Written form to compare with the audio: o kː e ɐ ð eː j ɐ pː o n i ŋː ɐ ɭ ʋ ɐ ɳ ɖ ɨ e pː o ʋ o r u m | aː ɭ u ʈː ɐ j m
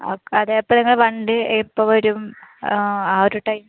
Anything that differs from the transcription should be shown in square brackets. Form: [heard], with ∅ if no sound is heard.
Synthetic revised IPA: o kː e ɐ ð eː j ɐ pː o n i ŋː ɐ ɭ ʋ ɐ ɳ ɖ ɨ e pː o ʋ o [ɾ] u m | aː [ɾ] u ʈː ɐ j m